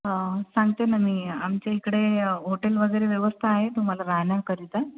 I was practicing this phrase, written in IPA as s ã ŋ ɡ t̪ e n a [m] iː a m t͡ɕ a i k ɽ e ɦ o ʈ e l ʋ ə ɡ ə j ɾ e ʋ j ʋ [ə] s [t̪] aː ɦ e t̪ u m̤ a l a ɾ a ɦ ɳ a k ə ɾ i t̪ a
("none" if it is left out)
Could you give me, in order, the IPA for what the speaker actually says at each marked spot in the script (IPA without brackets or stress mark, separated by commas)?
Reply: m, ə, t̪ʰ